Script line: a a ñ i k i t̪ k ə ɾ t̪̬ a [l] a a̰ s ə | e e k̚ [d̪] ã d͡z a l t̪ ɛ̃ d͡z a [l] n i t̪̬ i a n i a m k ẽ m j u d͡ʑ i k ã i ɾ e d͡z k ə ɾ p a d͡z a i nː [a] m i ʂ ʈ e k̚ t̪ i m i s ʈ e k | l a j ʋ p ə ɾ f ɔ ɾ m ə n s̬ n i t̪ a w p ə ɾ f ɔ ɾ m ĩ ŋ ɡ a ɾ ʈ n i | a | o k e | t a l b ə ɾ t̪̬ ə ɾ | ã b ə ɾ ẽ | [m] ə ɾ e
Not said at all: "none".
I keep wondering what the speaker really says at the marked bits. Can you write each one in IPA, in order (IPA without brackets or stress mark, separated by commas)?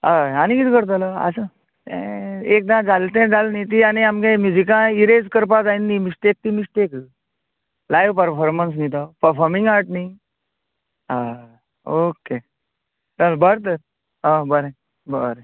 l, d̪, l, i, b